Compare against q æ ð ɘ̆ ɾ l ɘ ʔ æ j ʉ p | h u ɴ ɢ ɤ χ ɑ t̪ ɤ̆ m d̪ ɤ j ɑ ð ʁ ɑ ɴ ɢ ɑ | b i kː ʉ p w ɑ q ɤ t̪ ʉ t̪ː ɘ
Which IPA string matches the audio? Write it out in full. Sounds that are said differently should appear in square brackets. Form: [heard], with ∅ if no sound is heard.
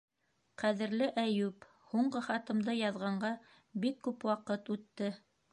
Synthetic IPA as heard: q æ ð ɘ̆ ɾ l ɘ ʔ æ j ʉ p | h u ɴ ɢ ɤ χ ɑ t̪ ɤ̆ m d̪ ɤ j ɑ ð ʁ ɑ ɴ ɢ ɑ | b i kː ʉ p w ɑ q ɤ t̪ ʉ t̪ː ɘ